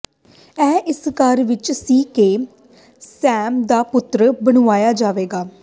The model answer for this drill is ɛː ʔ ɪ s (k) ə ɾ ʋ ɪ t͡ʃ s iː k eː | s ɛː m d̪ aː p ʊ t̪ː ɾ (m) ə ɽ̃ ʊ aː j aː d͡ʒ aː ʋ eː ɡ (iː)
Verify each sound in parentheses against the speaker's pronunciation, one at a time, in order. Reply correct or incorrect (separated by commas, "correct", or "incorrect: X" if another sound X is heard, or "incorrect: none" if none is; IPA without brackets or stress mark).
correct, incorrect: b, incorrect: aː